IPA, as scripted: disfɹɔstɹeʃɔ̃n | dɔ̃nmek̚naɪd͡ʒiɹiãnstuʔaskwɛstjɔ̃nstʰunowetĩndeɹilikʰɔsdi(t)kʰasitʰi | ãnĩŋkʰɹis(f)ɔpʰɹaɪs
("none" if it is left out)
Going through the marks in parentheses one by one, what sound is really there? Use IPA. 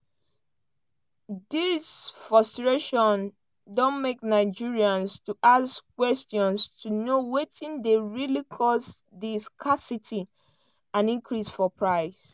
s, f

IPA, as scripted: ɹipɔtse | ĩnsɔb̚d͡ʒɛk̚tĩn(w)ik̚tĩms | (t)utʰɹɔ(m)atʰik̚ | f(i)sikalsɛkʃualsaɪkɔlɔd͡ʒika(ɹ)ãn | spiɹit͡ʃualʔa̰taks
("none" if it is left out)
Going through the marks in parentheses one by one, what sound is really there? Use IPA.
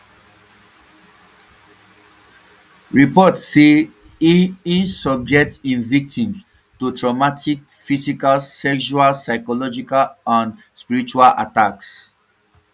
v, t, m, i, l

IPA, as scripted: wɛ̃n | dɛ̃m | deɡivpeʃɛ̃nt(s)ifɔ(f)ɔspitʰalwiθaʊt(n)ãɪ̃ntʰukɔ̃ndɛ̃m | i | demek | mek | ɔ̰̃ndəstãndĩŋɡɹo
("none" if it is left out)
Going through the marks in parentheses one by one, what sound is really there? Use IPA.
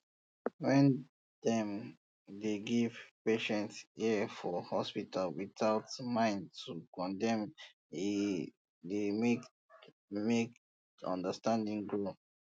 s, h, m

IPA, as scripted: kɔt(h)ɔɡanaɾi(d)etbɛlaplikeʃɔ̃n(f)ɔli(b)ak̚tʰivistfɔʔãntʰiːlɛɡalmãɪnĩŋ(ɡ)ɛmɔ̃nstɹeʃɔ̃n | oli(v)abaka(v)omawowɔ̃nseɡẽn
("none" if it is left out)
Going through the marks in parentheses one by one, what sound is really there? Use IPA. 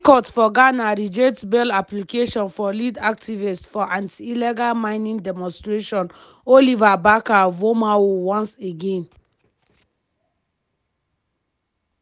f, d͡ʒ, f, d, d, v, v

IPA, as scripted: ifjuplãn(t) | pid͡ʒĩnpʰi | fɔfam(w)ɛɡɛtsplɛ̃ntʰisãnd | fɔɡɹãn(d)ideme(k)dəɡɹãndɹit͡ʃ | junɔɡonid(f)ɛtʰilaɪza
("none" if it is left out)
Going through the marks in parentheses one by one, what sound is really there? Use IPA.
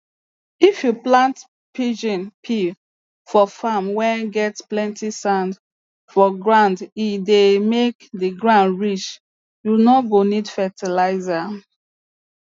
t, w, d, k, f

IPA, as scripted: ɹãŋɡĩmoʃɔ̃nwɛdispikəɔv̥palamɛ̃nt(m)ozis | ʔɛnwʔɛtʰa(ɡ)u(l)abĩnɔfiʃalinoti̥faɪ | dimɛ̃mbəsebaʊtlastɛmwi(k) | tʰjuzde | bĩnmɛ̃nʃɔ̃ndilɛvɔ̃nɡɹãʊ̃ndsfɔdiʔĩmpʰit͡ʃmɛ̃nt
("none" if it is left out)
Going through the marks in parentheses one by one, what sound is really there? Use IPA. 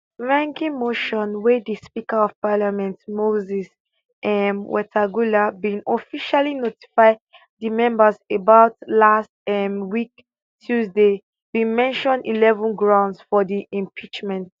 m, ɡ, l, k

